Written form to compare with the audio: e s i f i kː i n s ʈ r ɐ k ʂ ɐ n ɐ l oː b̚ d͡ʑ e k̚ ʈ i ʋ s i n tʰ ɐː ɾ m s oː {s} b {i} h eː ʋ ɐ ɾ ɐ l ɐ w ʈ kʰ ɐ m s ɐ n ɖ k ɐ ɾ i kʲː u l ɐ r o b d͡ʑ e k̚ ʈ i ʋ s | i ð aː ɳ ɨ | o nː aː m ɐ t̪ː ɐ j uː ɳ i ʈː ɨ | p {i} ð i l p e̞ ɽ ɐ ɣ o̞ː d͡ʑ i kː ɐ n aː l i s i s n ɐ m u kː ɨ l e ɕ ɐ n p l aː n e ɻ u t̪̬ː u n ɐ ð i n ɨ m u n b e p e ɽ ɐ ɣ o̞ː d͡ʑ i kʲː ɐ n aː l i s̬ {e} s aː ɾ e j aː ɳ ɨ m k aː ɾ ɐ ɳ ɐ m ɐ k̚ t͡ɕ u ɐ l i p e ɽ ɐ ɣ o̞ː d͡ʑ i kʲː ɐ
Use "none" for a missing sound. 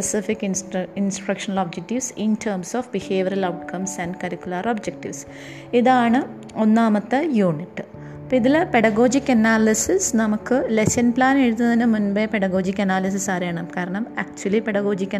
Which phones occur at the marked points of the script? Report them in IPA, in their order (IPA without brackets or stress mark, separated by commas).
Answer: f, i, i, i